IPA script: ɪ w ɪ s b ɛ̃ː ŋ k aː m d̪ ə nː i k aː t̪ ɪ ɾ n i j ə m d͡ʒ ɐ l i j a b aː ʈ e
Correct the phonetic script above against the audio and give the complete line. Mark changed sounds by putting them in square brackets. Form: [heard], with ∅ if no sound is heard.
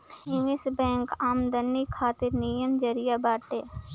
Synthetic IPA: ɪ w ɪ s b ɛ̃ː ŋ k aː m d̪ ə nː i [kʰ] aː t̪ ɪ ɾ n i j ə m d͡ʒ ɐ [ɾ] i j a b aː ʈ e